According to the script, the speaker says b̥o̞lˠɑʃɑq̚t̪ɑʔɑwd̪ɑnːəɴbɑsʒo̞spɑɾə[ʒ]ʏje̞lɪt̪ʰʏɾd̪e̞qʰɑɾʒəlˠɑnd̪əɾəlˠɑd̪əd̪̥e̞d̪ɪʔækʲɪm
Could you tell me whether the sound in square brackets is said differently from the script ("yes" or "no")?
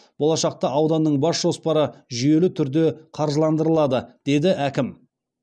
no